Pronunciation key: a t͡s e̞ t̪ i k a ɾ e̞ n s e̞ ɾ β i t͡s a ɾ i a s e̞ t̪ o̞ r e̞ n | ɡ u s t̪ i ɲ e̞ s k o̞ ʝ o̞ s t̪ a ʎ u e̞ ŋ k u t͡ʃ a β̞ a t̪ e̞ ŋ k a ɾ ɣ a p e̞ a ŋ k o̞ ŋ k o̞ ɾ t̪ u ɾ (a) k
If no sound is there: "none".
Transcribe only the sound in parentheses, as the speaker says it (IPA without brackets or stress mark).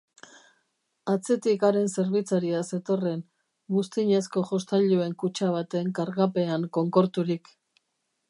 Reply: i